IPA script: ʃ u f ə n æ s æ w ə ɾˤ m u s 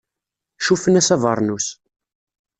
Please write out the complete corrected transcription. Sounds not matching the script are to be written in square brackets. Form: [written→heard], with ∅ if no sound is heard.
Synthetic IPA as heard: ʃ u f ə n æ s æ [w→v] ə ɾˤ [m→n] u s